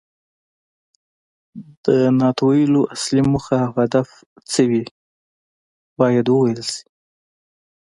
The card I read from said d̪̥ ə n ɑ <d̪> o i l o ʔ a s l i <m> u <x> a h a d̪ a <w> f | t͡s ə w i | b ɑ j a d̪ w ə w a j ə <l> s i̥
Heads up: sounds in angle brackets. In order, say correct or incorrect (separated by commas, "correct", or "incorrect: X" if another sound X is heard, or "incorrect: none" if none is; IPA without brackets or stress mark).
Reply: incorrect: t̪, correct, correct, incorrect: none, correct